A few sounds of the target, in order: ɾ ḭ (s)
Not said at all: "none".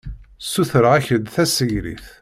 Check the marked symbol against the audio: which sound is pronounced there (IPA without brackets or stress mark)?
θ